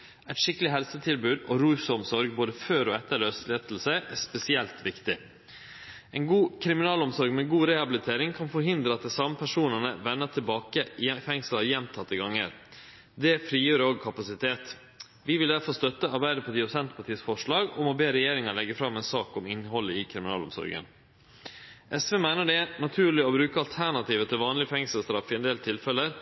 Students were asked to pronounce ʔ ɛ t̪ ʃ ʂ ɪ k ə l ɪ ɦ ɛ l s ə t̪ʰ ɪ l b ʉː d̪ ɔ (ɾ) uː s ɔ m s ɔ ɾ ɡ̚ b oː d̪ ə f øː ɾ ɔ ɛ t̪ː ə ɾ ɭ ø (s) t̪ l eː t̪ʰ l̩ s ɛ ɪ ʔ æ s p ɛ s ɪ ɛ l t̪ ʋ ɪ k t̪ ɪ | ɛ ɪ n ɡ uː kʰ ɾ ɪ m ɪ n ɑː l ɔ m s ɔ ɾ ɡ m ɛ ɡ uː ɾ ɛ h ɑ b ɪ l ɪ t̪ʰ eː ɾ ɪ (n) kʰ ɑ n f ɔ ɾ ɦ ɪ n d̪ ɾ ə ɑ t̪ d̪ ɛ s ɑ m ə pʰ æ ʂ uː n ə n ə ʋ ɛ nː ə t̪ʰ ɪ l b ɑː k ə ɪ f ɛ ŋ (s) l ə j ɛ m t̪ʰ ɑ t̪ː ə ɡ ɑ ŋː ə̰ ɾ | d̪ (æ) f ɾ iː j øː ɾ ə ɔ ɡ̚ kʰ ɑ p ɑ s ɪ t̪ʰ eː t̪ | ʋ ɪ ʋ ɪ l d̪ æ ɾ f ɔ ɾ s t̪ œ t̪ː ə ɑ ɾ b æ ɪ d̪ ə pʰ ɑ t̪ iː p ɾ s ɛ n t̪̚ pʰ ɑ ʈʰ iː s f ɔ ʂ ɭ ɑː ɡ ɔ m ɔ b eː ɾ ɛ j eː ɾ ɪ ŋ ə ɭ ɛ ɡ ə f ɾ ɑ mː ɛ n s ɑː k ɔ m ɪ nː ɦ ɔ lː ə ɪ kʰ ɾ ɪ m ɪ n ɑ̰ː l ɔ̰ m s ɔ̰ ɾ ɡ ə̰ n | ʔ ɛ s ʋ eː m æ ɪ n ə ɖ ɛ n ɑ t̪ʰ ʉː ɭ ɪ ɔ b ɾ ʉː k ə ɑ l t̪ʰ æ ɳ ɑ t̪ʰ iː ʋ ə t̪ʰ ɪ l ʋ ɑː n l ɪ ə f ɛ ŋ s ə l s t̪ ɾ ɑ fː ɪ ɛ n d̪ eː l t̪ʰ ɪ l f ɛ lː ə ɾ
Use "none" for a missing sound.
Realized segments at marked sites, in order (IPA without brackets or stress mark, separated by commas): ɾ, s, ŋ, s, ɛ